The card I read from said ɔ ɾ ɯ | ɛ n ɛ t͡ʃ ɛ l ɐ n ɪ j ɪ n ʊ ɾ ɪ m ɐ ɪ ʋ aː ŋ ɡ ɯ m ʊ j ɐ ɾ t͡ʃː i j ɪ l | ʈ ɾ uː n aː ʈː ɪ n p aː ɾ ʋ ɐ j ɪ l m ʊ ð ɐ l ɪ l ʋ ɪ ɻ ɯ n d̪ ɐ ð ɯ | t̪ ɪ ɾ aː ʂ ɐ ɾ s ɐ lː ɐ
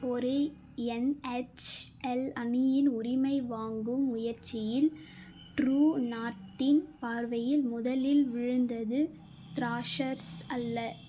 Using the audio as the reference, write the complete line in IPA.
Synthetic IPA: ɔ ɾ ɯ | ɛ n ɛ t͡ʃ ɛ l ɐ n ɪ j ɪ n ʊ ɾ ɪ m ɐ ɪ ʋ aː ŋ ɡ ɯ m ʊ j ɐ ɾ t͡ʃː ɪ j ɪ l | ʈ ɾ uː n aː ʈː ɪ n p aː ɾ ʋ ɐ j ɪ l m ʊ ð ɐ l ɪ l ʋ ɪ ɻ ɯ n d̪ ɐ ð ɯ | t̪ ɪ ɾ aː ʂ ɐ ɾ s ɐ lː ɐ